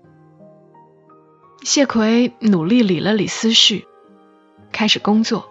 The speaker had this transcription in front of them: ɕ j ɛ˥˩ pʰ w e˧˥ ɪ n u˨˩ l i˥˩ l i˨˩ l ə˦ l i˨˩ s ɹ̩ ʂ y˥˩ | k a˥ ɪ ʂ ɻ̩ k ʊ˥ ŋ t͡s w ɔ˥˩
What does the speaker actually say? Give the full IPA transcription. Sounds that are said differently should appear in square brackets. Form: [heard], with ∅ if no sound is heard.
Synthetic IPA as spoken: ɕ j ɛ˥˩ [kʰ] w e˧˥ ɪ n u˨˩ l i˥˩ l i˨˩ l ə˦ l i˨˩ s ɹ̩ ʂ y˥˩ | [kʰ] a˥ ɪ ʂ ɻ̩ k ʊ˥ ŋ t͡s w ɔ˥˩